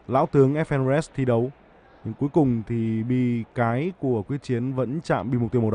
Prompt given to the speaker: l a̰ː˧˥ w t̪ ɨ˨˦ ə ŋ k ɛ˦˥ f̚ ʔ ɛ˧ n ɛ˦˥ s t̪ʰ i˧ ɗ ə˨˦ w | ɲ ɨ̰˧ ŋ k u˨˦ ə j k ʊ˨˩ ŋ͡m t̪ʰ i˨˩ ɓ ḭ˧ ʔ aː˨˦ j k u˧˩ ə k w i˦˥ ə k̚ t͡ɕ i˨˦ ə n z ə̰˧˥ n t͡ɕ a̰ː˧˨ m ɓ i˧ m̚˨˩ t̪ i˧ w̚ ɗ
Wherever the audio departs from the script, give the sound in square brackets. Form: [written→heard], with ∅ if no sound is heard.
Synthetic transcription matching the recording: l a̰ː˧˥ w t̪ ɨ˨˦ ə ŋ [k→ʔ] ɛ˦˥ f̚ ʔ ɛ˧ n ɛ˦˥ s t̪ʰ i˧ ɗ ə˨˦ w | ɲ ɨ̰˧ ŋ k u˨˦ ə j k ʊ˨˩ ŋ͡m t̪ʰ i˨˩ ɓ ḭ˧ [ʔ→k] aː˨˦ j k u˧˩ ə k w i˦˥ ə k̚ t͡ɕ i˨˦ ə n [z→v] ə̰˧˥ n t͡ɕ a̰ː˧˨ m ɓ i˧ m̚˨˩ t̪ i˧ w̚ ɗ

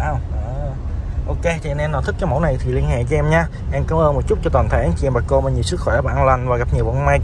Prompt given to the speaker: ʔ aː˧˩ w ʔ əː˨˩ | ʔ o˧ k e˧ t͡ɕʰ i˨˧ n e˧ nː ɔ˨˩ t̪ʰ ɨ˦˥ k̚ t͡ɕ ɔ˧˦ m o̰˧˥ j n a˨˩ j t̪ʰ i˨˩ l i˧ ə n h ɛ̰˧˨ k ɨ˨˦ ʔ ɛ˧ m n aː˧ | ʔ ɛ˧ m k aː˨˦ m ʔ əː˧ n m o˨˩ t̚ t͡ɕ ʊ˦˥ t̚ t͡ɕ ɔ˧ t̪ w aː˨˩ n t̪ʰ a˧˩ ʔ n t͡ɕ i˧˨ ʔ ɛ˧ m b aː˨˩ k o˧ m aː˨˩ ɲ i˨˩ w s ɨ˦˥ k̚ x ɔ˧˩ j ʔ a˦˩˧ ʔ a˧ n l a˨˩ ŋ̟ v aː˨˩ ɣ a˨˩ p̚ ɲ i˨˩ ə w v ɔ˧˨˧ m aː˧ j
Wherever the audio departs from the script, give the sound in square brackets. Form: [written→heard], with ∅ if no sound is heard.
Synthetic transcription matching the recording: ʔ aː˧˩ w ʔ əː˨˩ | ʔ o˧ k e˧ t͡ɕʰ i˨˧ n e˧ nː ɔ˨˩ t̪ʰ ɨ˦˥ k̚ t͡ɕ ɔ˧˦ m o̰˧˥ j n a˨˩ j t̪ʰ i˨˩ l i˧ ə n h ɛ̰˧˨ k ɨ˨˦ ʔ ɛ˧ m [n→ɲ] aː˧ | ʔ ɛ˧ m k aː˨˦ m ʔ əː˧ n m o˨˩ t̚ t͡ɕ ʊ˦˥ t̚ t͡ɕ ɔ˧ t̪ w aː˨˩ n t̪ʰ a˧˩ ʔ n t͡ɕ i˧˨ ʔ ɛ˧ m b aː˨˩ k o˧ m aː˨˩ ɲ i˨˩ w s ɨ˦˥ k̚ x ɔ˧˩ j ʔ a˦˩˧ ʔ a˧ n l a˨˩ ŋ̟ v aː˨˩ ɣ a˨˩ p̚ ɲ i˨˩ ə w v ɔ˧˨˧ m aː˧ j

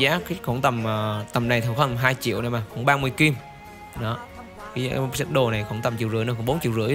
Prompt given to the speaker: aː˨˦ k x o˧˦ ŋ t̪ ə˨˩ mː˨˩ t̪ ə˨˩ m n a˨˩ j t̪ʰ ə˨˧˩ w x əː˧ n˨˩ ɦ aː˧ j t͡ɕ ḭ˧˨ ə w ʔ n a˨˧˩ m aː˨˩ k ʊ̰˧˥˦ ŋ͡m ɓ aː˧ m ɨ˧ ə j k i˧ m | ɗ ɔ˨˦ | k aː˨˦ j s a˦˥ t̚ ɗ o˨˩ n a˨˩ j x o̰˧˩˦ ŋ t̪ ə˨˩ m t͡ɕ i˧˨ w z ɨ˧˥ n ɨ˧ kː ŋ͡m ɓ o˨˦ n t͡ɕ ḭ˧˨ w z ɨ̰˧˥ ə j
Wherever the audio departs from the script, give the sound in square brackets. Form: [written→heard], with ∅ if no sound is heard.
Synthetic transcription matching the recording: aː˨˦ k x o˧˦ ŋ t̪ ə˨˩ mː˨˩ t̪ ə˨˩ m n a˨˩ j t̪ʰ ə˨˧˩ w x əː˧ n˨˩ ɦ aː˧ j t͡ɕ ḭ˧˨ ə w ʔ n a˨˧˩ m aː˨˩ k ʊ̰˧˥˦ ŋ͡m ɓ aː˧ m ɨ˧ ə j k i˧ m | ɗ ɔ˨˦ | k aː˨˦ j s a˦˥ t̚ ɗ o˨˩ n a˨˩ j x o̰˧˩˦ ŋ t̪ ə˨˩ m t͡ɕ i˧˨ w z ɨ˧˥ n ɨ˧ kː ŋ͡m ɓ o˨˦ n t͡ɕ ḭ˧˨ w z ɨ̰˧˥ ə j

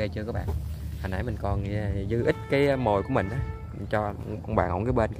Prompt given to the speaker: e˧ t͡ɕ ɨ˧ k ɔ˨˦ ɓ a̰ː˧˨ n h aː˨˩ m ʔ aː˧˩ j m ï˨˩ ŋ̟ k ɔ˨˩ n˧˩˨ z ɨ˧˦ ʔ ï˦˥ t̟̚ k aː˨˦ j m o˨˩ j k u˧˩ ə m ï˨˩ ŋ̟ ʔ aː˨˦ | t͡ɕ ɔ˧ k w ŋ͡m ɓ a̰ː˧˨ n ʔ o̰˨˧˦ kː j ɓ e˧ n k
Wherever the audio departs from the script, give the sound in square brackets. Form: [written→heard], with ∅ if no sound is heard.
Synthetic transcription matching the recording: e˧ t͡ɕ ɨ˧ k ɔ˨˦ ɓ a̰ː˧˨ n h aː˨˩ [m→n] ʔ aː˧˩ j m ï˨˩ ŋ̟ k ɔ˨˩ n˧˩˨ z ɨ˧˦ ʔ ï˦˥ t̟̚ k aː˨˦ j m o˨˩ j k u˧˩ ə m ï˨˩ ŋ̟ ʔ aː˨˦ | t͡ɕ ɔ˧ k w ŋ͡m ɓ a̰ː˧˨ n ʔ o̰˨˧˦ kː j ɓ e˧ n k

